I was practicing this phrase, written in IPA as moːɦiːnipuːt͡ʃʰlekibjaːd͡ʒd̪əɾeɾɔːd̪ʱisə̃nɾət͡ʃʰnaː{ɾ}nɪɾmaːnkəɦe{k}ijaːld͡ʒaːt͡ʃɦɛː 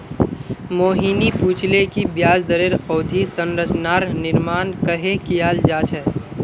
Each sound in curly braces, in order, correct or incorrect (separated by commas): correct, correct